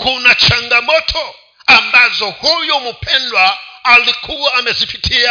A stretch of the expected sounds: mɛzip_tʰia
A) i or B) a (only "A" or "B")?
A